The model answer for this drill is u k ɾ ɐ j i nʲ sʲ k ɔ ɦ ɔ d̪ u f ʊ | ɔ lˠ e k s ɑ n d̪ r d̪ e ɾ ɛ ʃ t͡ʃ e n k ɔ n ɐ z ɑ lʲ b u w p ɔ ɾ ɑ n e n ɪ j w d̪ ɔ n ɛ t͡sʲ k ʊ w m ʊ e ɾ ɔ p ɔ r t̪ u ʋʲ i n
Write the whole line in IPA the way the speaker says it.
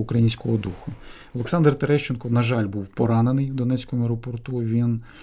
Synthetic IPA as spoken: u k ɾ ɐ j i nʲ sʲ k ɔ ɦ ɔ d̪ u x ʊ | ɔ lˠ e k s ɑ n d̪ r t̪ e ɾ ɛ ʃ t͡ʃ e n k ɔ n ɐ ʒ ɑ lʲ b u w p ɔ ɾ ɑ n e n ɪ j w d̪ ɔ n ɛ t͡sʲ k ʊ m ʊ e ɾ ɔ p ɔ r t̪ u ʋʲ i n